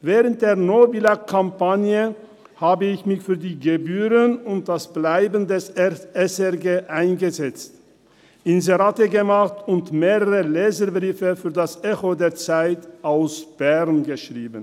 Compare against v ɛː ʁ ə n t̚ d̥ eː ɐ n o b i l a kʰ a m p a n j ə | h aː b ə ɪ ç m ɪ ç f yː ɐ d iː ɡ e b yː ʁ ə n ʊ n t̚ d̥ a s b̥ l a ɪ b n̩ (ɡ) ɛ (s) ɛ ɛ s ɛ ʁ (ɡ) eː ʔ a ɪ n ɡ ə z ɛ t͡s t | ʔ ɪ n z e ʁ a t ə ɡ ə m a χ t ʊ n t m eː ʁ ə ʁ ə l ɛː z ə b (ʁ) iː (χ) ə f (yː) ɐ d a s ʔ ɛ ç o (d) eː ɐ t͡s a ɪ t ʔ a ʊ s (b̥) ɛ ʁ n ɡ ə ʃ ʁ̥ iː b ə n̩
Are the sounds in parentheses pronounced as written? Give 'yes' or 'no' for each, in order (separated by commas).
no, yes, yes, yes, no, yes, yes, yes